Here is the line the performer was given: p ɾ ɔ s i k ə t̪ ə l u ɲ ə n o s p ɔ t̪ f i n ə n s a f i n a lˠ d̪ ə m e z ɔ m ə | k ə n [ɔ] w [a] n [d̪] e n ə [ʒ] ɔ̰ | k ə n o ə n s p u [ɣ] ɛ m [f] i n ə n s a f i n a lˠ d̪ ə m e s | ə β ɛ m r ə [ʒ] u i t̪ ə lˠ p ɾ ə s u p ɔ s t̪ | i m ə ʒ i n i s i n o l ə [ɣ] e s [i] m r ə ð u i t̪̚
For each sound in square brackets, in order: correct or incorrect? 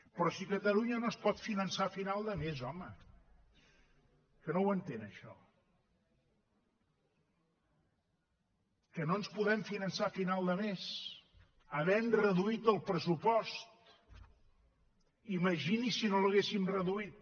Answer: incorrect, incorrect, incorrect, incorrect, incorrect, correct, incorrect, correct, correct

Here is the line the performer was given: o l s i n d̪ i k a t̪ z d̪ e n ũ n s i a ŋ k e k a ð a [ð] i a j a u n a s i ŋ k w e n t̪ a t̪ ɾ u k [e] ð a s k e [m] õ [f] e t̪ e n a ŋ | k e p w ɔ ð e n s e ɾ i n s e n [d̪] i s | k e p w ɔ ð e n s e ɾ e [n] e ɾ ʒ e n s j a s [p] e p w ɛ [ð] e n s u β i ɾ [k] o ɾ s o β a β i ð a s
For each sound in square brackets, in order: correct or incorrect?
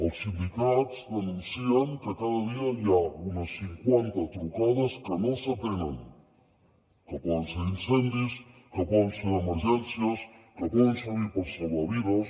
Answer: correct, incorrect, incorrect, incorrect, correct, incorrect, incorrect, correct, incorrect

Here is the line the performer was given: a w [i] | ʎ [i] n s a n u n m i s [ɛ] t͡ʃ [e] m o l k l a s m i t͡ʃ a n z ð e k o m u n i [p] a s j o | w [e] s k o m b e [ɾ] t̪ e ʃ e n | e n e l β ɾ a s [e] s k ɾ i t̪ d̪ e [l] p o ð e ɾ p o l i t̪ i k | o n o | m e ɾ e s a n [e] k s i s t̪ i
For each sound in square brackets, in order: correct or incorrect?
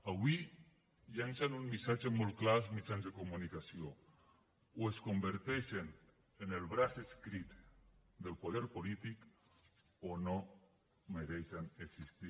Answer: correct, incorrect, incorrect, correct, incorrect, correct, correct, correct, correct, correct

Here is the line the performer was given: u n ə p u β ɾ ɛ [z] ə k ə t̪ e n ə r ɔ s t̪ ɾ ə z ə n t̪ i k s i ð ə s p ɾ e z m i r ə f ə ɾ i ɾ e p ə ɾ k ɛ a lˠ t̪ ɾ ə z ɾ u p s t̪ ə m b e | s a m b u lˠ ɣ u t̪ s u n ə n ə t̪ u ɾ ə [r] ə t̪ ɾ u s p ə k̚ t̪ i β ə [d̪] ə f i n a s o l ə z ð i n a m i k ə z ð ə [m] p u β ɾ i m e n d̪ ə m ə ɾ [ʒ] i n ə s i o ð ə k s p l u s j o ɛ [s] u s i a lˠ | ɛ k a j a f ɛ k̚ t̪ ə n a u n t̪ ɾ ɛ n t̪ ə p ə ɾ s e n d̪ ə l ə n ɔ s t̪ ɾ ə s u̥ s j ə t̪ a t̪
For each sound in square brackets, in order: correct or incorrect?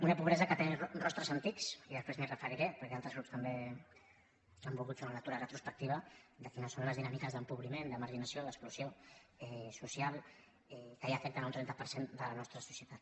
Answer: correct, correct, correct, correct, correct, correct

